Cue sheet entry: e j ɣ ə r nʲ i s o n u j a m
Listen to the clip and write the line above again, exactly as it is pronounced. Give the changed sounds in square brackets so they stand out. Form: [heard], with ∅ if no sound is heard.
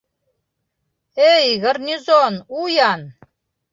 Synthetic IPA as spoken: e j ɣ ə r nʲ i [z] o n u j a [n]